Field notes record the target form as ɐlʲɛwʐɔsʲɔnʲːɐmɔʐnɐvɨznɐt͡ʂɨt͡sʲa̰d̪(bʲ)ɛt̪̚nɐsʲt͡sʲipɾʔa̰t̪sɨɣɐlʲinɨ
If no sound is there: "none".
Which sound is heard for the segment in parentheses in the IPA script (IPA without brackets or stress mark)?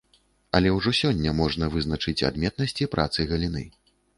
mʲ